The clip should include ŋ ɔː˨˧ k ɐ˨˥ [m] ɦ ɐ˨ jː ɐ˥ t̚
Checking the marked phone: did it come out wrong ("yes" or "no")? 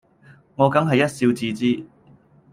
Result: yes